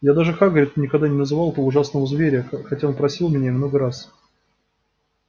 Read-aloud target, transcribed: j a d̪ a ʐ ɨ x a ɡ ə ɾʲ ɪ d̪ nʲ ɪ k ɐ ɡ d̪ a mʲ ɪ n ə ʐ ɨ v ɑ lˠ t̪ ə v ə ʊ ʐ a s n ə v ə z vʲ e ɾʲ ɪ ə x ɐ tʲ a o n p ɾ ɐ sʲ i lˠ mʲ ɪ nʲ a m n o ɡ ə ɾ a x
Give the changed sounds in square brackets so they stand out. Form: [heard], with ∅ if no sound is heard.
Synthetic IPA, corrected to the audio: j a d̪ a ʐ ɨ x a ɡ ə ɾʲ ɪ [t̪] nʲ ɪ k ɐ ɡ d̪ a [nʲ] ɪ n ə [z] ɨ v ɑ lˠ t̪ ə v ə ʊ ʐ a s n ə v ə z vʲ e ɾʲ ɪ ə x ɐ tʲ a o n p ɾ ɐ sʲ i lˠ mʲ ɪ nʲ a m n o ɡ ə ɾ a [s]